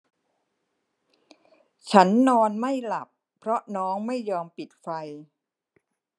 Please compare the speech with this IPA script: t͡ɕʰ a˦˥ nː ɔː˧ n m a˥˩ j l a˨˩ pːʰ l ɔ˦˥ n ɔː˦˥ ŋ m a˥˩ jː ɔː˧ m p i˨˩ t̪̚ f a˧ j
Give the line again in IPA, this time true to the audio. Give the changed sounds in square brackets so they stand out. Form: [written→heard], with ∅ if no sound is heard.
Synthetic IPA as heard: t͡ɕʰ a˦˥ nː ɔː˧ n m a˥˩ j l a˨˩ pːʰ [l→ɾ] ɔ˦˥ n ɔː˦˥ ŋ m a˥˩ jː ɔː˧ m p i˨˩ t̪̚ f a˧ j

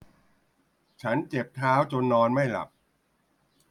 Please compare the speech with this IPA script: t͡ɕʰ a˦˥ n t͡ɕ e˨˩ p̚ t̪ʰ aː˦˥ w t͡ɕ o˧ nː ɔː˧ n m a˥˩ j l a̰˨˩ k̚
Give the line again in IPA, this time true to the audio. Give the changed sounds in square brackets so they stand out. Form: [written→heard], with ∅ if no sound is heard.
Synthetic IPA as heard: t͡ɕʰ a˦˥ n t͡ɕ e˨˩ p̚ t̪ʰ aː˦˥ w t͡ɕ o˧ nː ɔː˧ n m a˥˩ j l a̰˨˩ [k̚→p̚]

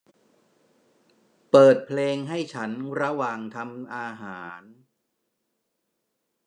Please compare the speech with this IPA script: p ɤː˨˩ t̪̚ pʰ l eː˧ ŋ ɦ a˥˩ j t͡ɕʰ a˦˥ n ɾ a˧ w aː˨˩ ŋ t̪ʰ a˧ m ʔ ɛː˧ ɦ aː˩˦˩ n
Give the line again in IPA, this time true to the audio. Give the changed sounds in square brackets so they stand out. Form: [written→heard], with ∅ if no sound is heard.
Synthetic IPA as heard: p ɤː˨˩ t̪̚ pʰ l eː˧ ŋ ɦ a˥˩ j t͡ɕʰ a˦˥ n ɾ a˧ w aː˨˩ ŋ t̪ʰ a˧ m ʔ [ɛː˧→aː˧] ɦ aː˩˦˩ n

